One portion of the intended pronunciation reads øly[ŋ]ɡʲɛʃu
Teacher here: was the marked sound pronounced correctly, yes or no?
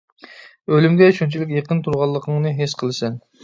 no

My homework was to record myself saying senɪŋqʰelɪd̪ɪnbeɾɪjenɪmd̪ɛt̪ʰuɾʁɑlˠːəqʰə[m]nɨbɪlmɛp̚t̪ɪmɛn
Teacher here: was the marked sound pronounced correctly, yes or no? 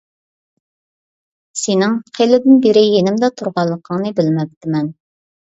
no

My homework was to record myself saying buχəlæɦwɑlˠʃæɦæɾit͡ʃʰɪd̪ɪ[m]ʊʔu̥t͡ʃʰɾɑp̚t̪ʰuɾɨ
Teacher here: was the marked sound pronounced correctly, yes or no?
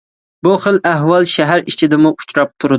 yes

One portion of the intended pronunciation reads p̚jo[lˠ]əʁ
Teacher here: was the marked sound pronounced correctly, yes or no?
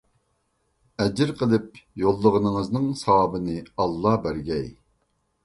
no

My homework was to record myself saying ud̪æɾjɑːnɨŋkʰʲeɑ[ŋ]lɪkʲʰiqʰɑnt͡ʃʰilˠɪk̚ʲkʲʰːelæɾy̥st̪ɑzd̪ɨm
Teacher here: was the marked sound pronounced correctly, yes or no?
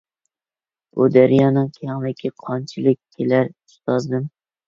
yes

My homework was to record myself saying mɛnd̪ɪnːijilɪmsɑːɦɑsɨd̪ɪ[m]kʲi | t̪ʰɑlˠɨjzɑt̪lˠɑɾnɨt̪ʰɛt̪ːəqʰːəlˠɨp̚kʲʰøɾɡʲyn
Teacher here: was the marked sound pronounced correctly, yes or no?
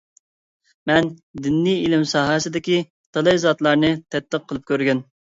no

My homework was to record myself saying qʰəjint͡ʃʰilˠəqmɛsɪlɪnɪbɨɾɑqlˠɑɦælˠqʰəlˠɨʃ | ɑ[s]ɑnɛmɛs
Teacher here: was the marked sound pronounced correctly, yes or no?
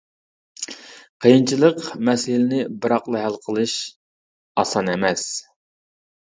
yes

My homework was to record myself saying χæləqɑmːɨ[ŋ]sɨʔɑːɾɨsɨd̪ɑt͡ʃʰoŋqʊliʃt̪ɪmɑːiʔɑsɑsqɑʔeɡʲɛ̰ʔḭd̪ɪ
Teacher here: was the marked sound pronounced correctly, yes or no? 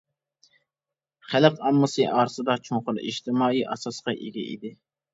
no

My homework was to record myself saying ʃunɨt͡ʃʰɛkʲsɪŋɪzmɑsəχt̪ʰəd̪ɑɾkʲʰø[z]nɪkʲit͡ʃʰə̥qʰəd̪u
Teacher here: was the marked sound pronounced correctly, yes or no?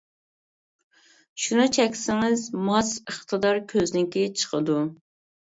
yes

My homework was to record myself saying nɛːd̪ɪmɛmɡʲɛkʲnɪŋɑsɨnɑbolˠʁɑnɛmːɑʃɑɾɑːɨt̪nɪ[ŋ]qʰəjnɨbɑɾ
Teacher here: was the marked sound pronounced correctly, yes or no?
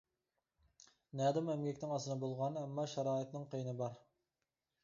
yes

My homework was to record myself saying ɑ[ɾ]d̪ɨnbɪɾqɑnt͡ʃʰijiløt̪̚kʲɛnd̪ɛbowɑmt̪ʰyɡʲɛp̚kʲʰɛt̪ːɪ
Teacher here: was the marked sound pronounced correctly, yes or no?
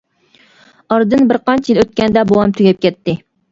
yes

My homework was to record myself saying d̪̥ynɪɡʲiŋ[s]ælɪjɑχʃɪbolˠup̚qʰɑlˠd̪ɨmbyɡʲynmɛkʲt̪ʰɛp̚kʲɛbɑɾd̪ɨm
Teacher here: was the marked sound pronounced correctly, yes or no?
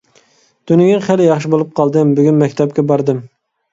no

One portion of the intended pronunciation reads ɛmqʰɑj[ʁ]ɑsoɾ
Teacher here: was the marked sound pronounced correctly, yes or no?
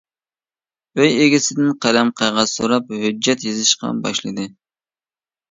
yes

